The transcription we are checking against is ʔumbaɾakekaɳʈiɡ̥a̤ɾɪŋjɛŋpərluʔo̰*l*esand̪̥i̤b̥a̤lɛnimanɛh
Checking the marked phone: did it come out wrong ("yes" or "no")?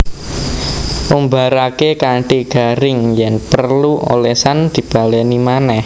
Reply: no